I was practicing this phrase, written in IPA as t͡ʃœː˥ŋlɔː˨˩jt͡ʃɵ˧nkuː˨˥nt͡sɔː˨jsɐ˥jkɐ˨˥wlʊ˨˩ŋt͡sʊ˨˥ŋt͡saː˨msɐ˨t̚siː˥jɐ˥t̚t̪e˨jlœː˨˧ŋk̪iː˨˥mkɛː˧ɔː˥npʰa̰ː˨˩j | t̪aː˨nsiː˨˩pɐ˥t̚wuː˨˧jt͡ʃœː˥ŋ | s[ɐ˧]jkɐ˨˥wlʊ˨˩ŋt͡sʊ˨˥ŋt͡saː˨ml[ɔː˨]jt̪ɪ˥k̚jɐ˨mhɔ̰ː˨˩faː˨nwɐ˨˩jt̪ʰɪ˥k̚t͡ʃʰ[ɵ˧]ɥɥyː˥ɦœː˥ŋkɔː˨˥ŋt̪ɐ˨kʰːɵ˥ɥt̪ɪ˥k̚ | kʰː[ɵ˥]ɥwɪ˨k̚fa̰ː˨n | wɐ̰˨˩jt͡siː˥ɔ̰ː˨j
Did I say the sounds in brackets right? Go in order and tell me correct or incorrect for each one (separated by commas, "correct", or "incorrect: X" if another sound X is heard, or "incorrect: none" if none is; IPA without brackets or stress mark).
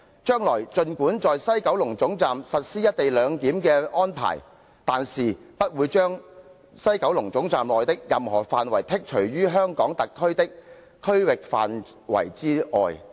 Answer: incorrect: ɐ˥, correct, incorrect: ɵ˨˩, correct